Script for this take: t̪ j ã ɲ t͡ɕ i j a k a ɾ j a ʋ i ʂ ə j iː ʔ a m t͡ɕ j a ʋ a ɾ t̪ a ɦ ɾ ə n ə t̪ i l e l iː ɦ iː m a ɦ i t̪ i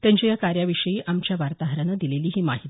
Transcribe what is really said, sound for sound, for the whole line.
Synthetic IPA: t̪ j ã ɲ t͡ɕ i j a k a ɾ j a ʋ i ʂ ə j iː ʔ a m t͡ɕ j a ʋ a ɾ t̪ a ɦ ɾ ə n ə d̪ i l e l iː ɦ iː m a ɦ i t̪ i